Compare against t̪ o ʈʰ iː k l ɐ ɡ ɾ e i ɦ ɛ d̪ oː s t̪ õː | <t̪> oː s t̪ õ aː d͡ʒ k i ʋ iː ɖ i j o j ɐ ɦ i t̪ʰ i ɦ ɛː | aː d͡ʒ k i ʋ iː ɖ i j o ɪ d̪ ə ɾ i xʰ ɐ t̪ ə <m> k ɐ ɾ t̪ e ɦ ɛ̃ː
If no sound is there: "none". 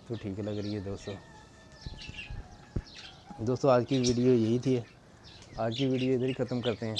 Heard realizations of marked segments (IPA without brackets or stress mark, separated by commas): d̪, m